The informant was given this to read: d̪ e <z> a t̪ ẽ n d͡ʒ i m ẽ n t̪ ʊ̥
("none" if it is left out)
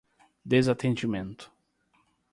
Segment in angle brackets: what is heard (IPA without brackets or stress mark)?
z